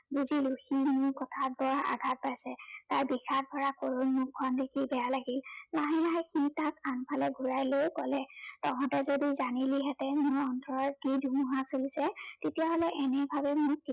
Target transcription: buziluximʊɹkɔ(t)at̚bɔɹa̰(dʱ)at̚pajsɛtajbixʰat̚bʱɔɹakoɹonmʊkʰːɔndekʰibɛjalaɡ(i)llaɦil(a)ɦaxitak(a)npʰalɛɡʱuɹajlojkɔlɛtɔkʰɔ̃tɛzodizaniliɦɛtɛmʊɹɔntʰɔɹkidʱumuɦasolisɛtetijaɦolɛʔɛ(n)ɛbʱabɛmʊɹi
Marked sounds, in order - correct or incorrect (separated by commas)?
incorrect, incorrect, correct, correct, correct, correct